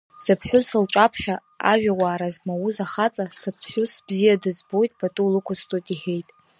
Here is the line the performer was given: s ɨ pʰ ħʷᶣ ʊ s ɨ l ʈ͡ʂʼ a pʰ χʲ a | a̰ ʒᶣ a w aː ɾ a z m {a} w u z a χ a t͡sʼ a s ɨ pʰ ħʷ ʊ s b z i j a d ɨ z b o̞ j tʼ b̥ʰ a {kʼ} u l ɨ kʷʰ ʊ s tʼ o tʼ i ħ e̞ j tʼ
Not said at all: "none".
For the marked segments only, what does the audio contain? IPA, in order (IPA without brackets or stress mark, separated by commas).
a, tʼ